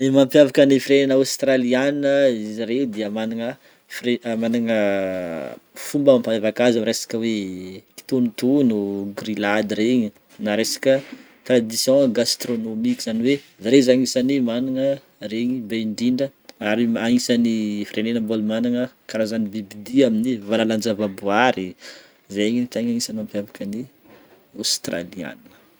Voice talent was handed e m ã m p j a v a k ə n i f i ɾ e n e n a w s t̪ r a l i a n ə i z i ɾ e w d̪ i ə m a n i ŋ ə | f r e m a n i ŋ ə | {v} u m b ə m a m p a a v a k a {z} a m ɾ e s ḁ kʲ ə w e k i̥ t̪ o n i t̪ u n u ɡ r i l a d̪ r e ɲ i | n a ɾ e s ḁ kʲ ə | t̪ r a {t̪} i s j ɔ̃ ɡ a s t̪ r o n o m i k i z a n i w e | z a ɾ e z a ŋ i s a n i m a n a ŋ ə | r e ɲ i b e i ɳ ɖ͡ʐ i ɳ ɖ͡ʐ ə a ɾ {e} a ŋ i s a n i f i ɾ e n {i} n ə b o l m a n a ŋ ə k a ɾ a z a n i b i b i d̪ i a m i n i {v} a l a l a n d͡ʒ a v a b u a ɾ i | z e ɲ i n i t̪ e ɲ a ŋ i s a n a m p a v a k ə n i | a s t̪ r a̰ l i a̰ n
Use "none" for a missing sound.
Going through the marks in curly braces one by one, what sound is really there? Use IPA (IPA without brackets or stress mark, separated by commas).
f, z, d̪, i, e, v